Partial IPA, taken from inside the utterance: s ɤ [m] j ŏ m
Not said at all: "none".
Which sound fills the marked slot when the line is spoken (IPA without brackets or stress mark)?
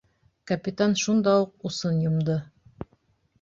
n